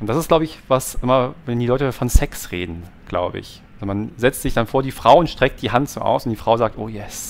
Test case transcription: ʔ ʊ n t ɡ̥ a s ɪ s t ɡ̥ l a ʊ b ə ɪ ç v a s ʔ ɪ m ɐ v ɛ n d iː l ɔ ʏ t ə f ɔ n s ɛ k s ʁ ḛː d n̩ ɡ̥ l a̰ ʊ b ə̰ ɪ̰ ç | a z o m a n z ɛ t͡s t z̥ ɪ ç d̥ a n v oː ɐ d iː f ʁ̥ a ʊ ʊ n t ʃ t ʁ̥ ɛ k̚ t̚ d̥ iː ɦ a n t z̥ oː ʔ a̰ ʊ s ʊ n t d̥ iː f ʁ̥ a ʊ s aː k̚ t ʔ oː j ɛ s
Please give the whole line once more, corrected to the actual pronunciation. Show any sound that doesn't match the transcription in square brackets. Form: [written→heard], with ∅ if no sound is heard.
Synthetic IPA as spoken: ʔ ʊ n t [ɡ̥→d̥] a s ɪ s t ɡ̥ l a ʊ b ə ɪ ç v a s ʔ ɪ m ɐ v ɛ n d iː l ɔ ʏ t ə f ɔ n s ɛ k s ʁ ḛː d n̩ ɡ̥ l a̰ ʊ b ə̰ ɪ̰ ç | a z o m a n z ɛ t͡s t z̥ ɪ ç d̥ a n [v→f] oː ɐ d iː f ʁ̥ a ʊ ʊ n t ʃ t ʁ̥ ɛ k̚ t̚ d̥ iː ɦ a n t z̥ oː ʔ a̰ ʊ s ʊ n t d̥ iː f ʁ̥ a ʊ [s→z] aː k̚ t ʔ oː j ɛ s

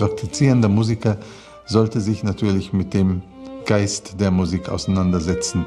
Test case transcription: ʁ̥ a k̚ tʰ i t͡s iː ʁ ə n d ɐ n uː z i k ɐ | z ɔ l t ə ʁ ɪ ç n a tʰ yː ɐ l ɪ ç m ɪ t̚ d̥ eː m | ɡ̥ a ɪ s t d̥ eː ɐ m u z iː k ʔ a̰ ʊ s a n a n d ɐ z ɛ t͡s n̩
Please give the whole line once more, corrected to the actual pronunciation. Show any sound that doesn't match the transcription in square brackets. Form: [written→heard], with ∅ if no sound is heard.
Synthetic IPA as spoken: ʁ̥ a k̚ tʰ i t͡s iː ʁ ə n d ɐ [n→m] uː z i k ɐ | z ɔ l t ə [ʁ→z] ɪ ç n a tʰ yː ɐ l ɪ ç m ɪ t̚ d̥ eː m | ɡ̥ a ɪ s t d̥ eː ɐ m u z iː k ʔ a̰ ʊ s a n a n d ɐ z ɛ t͡s n̩

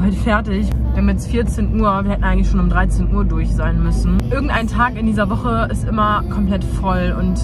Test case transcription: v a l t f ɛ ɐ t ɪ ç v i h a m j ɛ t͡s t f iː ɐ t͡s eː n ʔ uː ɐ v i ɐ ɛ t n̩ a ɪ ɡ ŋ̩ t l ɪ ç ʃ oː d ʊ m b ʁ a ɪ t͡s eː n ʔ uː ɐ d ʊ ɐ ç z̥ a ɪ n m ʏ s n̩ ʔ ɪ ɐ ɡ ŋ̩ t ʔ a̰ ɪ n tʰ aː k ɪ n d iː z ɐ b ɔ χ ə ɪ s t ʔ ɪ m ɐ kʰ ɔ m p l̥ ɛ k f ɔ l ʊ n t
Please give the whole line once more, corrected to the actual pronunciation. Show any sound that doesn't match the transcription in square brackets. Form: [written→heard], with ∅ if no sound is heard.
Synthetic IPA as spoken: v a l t f ɛ ɐ t ɪ ç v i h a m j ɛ t͡s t f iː ɐ t͡s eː n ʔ uː ɐ v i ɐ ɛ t n̩ a ɪ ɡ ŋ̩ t l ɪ ç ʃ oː [d→n] ʊ m [b→d] ʁ a ɪ t͡s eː n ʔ uː ɐ d ʊ ɐ ç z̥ a ɪ n m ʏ s n̩ ʔ ɪ ɐ ɡ ŋ̩ t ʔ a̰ ɪ n tʰ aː k ɪ n d iː z ɐ [b→v] ɔ χ ə ɪ s t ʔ ɪ m ɐ kʰ ɔ m p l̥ ɛ [k→t] f ɔ l ʊ n t

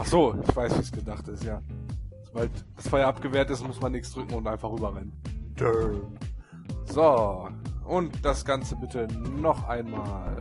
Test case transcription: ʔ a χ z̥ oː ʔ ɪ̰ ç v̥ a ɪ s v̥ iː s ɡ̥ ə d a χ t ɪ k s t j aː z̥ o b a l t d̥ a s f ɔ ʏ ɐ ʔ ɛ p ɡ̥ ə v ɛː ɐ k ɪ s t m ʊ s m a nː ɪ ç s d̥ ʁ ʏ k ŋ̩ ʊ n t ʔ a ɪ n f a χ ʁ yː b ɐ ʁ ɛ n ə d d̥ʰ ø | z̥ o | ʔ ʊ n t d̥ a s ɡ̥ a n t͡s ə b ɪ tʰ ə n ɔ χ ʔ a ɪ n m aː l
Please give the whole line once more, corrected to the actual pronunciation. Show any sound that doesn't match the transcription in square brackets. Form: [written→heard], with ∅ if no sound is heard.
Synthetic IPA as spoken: ʔ a χ z̥ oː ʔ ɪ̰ ç v̥ a ɪ s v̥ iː s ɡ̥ ə d a χ t ɪ [k→∅] s t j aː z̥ o b a l t d̥ a s f ɔ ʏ ɐ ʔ [ɛ→a] p ɡ̥ ə v ɛː ɐ [k→t] ɪ s t m ʊ s m a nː ɪ ç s d̥ ʁ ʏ k ŋ̩ ʊ n t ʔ a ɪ n f a χ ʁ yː b ɐ ʁ ɛ n ə [d→n] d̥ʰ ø | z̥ o | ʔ ʊ n t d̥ a s ɡ̥ a n t͡s ə b ɪ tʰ ə n ɔ χ ʔ a ɪ n m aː l

